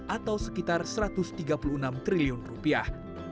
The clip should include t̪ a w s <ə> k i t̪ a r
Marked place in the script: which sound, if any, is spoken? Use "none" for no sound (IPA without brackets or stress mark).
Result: ə